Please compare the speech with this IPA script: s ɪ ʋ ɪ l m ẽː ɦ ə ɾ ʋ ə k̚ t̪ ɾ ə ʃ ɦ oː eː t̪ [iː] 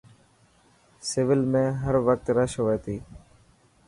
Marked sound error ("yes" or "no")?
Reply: no